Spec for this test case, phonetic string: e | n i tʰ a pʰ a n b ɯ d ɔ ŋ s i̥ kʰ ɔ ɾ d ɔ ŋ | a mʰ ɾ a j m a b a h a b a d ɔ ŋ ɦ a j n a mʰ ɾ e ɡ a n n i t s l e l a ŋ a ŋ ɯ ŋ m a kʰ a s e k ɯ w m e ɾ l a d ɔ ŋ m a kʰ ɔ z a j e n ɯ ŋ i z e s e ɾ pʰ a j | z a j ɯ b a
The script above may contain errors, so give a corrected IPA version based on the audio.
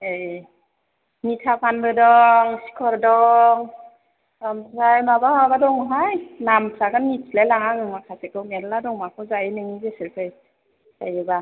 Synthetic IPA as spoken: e | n i tʰ a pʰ a n b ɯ d ɔ ŋ s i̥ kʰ ɔ ɾ d ɔ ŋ | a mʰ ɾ a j m a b a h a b a d ɔ ŋ ɦ a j n a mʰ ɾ a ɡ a n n i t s l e l a ŋ a ŋ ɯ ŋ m a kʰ a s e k ɯ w m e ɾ l a d ɔ ŋ m a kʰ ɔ z a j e n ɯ ŋ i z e s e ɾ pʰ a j | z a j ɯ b a